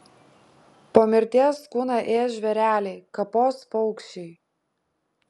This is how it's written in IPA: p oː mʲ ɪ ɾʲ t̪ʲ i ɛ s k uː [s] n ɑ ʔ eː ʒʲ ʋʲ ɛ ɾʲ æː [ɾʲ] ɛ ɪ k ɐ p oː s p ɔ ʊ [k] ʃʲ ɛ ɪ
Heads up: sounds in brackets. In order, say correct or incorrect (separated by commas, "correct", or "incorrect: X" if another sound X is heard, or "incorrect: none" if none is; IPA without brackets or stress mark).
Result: incorrect: none, incorrect: lʲ, correct